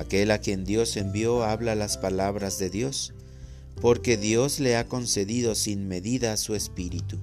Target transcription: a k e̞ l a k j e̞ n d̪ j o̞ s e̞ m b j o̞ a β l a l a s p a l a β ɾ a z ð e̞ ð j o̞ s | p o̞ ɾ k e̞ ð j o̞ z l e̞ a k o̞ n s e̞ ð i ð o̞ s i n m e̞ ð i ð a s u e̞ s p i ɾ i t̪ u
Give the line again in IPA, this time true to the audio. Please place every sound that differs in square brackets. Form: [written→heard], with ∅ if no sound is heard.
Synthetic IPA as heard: a k e̞ l a k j e̞ n d̪ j o̞ s e̞ m b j o̞ a β l a l a s p a l a β ɾ a z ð e̞ ð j o̞ s | p o̞ ɾ k e̞ ð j o̞ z l e̞ a k o̞ n s e̞ ð i ð o̞ s i n m e̞ ð i ð a s u e̞ s p i ɾ i t̪ u